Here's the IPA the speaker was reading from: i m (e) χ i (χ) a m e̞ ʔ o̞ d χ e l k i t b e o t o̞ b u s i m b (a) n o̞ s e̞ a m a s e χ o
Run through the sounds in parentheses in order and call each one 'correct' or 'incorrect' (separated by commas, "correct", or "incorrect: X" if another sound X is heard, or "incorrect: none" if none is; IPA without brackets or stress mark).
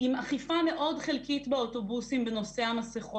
incorrect: a, incorrect: f, incorrect: e